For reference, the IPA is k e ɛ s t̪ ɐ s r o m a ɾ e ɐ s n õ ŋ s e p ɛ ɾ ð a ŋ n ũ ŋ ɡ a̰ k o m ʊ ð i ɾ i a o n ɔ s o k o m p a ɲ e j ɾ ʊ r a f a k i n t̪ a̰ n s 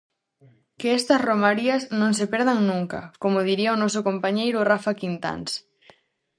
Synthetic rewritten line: k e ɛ s t̪ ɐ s r o m a ɾ i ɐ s n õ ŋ s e p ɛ ɾ ð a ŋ n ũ ŋ k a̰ k o m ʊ ð i ɾ i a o n ɔ s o k o m p a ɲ e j ɾ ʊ r a f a k i n t̪ a̰ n s